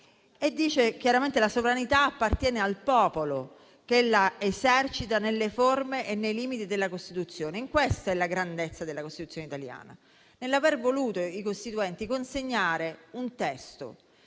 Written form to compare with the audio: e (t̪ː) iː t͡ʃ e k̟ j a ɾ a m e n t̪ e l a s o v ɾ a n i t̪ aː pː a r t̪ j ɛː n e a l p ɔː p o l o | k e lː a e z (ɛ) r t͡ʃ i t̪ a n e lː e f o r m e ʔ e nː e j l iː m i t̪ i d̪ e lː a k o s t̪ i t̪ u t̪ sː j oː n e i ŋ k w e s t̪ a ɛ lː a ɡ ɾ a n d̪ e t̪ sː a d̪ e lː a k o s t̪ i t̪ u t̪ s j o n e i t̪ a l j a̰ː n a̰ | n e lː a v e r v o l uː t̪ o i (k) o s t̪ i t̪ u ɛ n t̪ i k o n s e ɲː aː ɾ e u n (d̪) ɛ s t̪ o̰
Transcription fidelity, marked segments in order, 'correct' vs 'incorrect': incorrect: d̪ː, correct, correct, incorrect: t̪

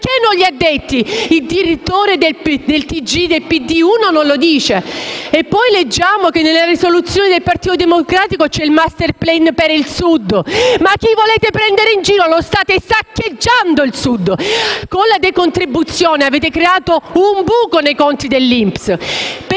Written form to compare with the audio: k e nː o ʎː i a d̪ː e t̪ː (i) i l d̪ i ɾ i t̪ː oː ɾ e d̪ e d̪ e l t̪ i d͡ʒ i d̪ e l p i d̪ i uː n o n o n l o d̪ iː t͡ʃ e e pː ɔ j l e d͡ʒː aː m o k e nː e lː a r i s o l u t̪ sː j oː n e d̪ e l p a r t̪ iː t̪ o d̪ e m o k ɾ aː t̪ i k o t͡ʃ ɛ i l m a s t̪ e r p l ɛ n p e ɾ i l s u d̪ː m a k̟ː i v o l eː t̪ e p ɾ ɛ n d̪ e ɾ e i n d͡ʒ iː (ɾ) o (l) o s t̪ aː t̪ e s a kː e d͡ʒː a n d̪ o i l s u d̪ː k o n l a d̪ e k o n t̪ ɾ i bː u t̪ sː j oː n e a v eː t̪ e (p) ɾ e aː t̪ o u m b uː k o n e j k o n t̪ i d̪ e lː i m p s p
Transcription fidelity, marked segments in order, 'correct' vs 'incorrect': correct, correct, correct, incorrect: k

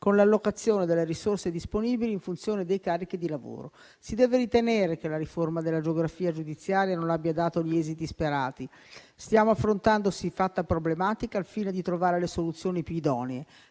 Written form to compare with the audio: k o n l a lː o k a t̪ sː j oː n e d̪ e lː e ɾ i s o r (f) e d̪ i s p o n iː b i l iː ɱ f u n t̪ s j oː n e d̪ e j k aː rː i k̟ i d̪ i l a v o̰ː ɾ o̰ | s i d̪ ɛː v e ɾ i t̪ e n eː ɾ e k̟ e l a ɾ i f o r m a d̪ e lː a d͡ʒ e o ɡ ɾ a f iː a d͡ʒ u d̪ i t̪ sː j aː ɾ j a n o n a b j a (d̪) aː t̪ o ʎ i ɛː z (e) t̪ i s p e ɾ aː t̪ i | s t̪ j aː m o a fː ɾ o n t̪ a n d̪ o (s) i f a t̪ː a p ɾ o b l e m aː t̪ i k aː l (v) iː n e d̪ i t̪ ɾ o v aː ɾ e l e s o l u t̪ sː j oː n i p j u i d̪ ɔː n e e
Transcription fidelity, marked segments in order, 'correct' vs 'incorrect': incorrect: s, correct, incorrect: i, correct, incorrect: f

